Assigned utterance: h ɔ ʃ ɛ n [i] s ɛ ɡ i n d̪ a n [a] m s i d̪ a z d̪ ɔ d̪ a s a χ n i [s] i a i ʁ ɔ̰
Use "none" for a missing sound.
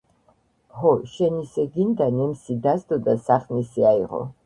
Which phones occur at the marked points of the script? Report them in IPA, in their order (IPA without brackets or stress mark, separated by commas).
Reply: i, ɛ, s